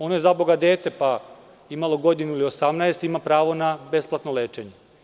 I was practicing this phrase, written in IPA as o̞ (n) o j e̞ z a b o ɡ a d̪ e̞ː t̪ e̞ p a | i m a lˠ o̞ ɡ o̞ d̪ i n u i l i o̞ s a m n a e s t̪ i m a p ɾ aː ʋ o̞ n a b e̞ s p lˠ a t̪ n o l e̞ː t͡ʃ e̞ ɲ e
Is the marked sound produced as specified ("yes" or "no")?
yes